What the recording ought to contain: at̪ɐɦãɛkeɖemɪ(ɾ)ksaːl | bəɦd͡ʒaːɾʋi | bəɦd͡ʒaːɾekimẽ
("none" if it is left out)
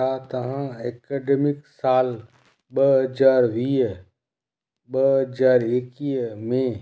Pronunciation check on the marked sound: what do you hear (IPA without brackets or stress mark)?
none